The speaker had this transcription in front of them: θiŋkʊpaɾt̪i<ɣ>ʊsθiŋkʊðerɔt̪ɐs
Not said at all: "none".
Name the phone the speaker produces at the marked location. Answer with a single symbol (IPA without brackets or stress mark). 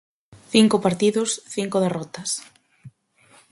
ð